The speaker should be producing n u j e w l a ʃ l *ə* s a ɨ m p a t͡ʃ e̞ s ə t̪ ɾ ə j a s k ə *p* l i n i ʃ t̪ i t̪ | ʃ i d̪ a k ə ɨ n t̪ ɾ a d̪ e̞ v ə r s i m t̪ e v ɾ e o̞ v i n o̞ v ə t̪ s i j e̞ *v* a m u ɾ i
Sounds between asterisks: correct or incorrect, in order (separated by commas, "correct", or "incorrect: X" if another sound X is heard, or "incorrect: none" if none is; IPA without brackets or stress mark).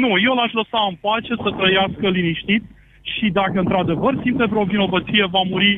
correct, incorrect: none, correct